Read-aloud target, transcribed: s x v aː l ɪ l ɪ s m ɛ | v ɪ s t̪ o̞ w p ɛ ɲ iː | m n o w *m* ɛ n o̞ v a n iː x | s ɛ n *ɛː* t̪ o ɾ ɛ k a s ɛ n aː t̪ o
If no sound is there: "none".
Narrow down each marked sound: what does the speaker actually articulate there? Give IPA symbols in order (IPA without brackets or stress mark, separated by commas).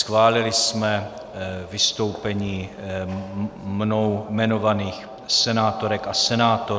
m, aː